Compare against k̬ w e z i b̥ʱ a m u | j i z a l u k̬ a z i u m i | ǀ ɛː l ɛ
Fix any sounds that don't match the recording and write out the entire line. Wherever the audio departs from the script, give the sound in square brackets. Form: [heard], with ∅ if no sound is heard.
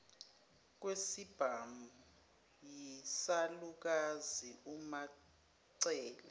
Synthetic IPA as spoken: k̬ w e [s] i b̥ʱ a m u | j i [s] a l u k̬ a z i u m [a] | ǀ ɛː l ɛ